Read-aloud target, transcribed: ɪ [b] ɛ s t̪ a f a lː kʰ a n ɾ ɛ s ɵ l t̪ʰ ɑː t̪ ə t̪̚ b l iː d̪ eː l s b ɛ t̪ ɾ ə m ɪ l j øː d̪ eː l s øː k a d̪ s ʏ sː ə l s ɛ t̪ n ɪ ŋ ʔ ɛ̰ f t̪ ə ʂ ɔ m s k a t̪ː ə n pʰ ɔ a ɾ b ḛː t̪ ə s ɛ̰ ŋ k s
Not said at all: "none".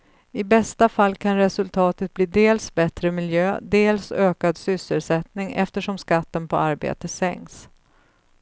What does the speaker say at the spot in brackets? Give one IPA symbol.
b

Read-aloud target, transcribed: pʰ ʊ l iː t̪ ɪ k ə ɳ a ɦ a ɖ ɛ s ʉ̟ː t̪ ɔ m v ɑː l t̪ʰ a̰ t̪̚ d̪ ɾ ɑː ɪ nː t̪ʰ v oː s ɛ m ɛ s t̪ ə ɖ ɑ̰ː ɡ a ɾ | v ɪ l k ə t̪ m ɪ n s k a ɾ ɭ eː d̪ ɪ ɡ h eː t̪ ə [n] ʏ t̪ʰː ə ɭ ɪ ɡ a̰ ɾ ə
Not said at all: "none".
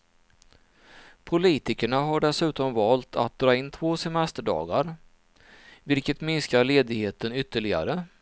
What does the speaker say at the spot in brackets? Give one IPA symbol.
n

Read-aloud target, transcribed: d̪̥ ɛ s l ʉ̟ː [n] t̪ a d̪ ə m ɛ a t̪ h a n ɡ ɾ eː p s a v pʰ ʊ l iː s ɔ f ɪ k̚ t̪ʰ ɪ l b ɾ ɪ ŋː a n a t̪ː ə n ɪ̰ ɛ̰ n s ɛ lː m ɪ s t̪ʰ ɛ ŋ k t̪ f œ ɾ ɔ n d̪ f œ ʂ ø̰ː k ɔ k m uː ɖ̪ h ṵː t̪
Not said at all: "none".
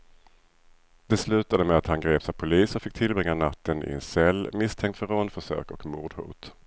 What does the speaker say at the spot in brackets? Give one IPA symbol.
none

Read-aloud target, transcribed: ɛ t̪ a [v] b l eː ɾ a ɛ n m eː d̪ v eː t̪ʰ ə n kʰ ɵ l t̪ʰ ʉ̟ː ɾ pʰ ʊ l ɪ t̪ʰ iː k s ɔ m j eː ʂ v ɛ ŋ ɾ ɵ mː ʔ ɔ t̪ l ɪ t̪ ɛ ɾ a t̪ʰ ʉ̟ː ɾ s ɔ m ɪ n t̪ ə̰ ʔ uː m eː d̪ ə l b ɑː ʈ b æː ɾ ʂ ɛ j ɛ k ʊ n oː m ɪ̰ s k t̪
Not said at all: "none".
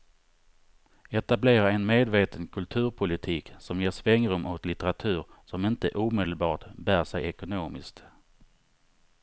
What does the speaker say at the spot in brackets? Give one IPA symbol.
none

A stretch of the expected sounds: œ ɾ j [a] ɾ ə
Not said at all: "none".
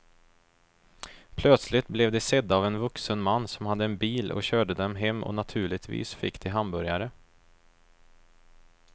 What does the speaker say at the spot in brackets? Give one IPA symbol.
a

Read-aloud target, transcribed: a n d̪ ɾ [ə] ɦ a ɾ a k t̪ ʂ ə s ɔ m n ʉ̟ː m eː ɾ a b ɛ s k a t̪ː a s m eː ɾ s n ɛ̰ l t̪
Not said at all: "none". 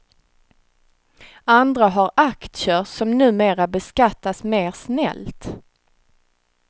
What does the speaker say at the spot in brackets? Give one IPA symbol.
a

